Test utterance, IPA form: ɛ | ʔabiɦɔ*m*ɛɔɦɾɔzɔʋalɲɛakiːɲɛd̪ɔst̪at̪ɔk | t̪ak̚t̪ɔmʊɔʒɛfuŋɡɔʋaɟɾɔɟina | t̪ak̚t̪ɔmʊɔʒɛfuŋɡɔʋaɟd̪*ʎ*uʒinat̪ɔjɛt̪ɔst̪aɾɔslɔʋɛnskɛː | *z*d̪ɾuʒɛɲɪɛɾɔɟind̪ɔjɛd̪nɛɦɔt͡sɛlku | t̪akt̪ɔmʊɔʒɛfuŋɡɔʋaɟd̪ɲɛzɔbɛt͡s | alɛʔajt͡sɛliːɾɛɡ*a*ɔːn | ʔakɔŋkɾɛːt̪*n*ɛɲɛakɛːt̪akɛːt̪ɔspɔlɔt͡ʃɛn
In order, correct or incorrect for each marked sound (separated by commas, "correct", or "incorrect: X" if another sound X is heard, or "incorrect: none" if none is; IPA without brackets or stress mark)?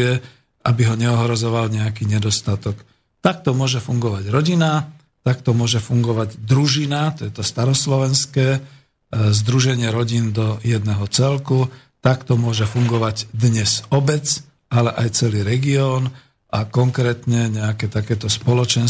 incorrect: ɲ, incorrect: ɾ, correct, incorrect: i, incorrect: ɲ